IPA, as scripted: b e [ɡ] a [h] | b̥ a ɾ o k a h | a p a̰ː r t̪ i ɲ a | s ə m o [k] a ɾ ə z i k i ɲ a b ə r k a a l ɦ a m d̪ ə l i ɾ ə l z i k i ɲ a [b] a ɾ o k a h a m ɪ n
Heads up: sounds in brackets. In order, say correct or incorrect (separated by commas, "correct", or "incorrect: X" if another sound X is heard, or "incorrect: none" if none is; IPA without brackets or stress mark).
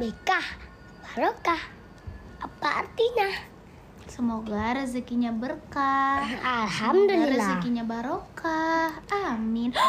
incorrect: k, correct, incorrect: ɡ, correct